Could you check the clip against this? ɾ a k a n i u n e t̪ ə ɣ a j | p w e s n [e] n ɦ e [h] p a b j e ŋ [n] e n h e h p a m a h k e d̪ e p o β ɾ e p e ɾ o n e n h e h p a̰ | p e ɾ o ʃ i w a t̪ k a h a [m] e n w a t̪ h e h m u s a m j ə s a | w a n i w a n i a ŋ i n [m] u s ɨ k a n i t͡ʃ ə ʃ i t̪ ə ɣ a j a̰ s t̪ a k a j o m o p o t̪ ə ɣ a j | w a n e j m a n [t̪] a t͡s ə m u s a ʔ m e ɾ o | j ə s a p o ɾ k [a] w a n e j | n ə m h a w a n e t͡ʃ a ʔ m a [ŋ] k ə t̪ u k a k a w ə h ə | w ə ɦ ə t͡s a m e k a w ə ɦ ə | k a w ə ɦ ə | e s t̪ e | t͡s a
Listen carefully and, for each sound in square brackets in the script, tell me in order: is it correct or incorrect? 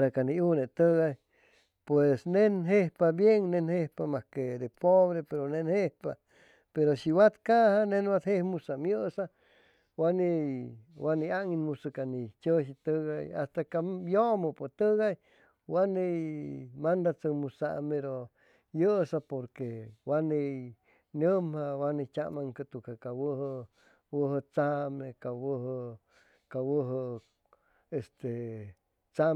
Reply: correct, correct, correct, incorrect, correct, incorrect, incorrect, correct

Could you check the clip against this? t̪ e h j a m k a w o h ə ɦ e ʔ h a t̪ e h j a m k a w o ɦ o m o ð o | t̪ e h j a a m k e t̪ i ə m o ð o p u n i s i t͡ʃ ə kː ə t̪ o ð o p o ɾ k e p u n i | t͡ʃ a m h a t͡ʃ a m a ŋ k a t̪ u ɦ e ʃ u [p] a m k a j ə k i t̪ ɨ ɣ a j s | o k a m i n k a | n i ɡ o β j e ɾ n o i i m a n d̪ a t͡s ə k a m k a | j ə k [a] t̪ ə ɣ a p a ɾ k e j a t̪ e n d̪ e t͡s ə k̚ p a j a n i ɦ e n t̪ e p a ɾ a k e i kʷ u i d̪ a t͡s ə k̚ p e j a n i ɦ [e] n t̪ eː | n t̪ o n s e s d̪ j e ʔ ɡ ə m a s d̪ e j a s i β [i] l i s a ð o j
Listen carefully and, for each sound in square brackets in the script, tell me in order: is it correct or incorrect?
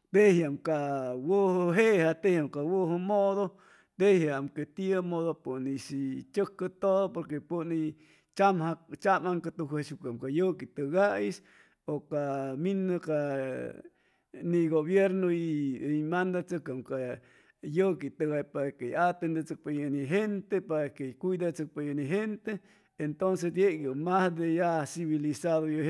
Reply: incorrect, incorrect, correct, correct

